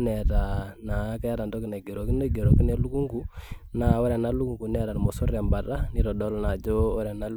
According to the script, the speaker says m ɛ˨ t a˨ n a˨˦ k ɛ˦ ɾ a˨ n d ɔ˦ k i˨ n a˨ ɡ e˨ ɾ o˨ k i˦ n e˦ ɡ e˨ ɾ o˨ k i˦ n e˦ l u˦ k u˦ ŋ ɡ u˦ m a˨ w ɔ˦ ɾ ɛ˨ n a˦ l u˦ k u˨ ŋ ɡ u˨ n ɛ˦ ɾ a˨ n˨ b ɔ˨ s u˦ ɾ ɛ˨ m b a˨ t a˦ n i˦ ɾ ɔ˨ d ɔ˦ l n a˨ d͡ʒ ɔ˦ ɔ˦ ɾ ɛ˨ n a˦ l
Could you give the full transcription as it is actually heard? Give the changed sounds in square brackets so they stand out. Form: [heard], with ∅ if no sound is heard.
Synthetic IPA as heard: [n] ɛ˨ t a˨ n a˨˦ k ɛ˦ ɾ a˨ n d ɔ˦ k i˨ n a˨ ɡ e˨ ɾ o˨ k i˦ n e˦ ɡ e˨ ɾ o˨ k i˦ n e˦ l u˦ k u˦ ŋ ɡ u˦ [n] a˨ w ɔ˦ ɾ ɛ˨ n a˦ l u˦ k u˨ ŋ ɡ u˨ n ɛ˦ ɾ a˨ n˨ [m] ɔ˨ s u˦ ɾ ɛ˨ m b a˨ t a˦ n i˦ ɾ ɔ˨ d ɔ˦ l n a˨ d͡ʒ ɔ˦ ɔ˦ ɾ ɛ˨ n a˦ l